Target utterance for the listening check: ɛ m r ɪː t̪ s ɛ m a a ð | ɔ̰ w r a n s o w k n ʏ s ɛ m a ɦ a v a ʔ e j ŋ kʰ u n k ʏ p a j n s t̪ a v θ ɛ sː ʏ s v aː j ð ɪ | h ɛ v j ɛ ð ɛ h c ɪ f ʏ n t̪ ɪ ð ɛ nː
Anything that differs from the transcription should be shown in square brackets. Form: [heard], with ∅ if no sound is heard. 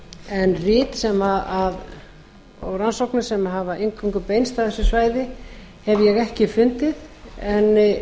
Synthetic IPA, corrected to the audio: ɛ [n] r ɪː t̪ s ɛ m a a ð | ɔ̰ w r a n s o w k n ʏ s ɛ m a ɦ a v a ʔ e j ŋ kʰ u [ŋ] k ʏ p [e] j n s t̪ a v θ ɛ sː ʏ s v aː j ð ɪ | h ɛ v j ɛ [ɣ] ɛ h c ɪ f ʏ n t̪ ɪ ð ɛ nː